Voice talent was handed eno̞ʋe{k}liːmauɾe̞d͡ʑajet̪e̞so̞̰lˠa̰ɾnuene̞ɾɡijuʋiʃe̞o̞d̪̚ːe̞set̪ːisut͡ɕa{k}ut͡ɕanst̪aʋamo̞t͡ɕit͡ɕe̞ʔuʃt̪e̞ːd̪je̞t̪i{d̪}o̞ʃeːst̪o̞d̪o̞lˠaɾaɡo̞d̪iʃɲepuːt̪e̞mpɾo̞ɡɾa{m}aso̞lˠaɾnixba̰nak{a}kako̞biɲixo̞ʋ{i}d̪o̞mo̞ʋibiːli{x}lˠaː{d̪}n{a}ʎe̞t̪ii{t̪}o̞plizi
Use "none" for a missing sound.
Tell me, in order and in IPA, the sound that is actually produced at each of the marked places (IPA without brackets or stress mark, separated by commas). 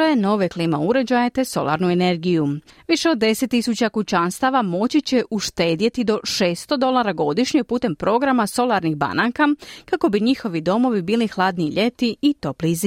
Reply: k, k, d̪, m, a, i, x, d̪, i, t̪